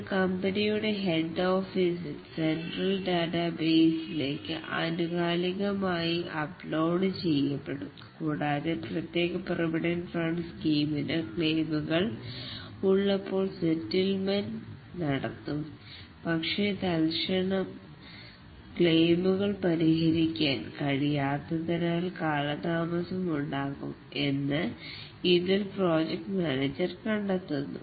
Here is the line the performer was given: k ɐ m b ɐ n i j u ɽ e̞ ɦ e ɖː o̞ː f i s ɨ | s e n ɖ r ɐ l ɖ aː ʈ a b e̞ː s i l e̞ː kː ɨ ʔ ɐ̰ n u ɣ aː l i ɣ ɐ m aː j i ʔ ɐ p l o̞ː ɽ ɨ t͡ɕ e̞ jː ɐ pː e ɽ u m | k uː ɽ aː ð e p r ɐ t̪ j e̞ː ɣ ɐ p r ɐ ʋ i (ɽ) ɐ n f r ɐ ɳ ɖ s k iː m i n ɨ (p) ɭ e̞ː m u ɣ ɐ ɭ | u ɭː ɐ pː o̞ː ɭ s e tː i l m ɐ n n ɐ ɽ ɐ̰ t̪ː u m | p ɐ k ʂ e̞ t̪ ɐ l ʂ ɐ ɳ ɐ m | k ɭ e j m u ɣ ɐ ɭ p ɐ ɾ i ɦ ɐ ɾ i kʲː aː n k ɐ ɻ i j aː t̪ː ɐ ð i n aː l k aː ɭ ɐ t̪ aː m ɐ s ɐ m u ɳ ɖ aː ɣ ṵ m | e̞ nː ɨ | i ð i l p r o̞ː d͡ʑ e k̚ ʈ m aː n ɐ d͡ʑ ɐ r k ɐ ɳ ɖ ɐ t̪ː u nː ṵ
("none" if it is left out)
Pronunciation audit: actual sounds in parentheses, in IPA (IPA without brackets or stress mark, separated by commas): ɽ, k